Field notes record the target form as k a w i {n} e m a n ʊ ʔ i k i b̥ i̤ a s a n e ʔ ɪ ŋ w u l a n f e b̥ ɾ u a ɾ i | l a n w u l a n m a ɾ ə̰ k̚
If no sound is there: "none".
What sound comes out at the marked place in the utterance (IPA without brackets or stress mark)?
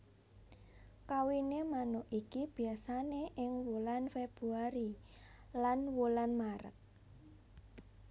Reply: n